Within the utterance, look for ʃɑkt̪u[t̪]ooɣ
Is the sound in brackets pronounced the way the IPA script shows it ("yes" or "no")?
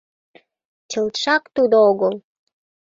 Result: no